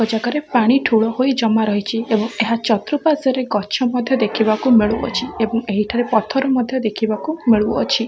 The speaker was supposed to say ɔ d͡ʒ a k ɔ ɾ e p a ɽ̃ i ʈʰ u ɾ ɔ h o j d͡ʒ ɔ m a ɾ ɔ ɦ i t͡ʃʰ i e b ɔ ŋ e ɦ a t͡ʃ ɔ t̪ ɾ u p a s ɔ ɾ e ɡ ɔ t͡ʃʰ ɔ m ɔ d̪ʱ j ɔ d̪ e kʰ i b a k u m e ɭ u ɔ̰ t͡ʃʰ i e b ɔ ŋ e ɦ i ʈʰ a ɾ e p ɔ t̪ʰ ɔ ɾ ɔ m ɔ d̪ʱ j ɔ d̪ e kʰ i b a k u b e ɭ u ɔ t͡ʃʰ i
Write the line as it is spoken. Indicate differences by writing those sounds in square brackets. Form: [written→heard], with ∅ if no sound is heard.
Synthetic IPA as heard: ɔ d͡ʒ a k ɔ ɾ e p a ɽ̃ i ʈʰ u [ɾ→ɭ] ɔ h o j d͡ʒ ɔ m a ɾ ɔ ɦ i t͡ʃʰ i e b ɔ ŋ e ɦ a t͡ʃ ɔ t̪ ɾ u p a s ɔ ɾ e ɡ ɔ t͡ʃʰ ɔ m ɔ d̪ʱ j ɔ d̪ e kʰ i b a k u m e ɭ u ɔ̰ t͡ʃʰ i e b ɔ ŋ e ɦ i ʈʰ a ɾ e p ɔ t̪ʰ ɔ ɾ ɔ m ɔ d̪ʱ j ɔ d̪ e kʰ i b a k u [b→m] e ɭ u ɔ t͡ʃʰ i